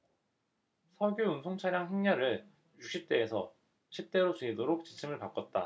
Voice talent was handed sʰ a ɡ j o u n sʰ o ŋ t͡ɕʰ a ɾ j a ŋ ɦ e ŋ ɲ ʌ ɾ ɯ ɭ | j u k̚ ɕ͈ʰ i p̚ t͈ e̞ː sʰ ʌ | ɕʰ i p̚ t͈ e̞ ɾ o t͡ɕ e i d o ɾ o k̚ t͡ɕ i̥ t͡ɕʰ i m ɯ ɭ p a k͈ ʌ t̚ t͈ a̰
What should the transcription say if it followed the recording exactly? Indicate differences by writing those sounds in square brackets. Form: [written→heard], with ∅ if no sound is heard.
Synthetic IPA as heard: sʰ [a→ʌ] ɡ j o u n sʰ o ŋ t͡ɕʰ a ɾ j a ŋ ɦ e ŋ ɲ ʌ ɾ ɯ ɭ | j u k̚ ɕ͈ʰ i p̚ t͈ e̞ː sʰ ʌ | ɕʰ i p̚ t͈ e̞ ɾ o t͡ɕ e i d o ɾ o k̚ t͡ɕ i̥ t͡ɕʰ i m ɯ ɭ p a k͈ ʌ t̚ t͈ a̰